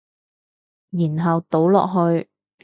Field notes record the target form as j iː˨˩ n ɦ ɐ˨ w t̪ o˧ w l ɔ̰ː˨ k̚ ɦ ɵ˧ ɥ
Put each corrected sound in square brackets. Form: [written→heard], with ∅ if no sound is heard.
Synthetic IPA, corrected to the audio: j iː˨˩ n ɦ ɐ˨ w t̪ [o˧→o˨˥] w l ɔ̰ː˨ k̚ ɦ ɵ˧ ɥ